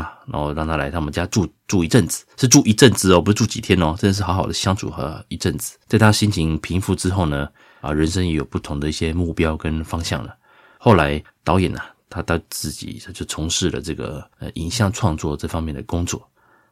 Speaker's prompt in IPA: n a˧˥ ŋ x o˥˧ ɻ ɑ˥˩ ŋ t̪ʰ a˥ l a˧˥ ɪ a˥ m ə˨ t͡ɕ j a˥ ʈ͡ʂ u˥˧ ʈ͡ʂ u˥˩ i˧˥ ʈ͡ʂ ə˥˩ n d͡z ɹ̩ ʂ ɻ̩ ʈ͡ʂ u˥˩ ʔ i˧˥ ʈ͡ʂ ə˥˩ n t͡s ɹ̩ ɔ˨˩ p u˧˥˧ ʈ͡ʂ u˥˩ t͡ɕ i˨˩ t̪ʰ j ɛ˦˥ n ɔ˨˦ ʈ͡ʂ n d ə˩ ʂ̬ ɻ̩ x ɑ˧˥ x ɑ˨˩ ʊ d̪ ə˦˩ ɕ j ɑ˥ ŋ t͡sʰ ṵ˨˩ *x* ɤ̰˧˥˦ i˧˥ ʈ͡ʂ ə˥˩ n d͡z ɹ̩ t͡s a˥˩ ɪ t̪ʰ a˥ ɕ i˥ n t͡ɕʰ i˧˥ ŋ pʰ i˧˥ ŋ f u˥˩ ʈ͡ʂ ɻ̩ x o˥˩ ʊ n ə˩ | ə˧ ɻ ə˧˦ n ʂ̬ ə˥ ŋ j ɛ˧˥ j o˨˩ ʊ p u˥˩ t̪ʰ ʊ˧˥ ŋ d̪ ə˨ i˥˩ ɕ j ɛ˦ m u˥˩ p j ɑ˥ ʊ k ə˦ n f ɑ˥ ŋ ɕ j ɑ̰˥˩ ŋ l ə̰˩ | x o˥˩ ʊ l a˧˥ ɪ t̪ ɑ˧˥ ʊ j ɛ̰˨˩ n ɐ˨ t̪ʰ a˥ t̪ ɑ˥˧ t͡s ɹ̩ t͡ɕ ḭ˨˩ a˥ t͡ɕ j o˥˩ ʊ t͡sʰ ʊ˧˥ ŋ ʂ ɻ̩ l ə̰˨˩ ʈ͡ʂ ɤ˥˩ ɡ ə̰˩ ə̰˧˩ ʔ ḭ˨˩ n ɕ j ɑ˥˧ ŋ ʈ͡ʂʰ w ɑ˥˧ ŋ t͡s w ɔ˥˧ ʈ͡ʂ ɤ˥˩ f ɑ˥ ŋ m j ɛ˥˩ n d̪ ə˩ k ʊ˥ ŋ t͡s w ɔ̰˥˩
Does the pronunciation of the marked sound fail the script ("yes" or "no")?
no